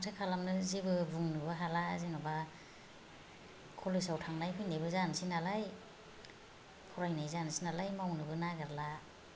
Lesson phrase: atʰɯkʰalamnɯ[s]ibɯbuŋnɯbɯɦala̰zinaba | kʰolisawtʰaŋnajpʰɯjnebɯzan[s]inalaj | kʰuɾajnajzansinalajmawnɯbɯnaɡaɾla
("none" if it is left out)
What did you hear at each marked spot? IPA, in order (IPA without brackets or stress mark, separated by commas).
z, s